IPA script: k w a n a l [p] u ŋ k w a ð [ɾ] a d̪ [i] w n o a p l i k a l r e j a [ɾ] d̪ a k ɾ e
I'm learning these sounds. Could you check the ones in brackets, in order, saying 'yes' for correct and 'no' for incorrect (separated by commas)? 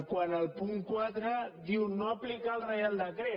yes, yes, yes, no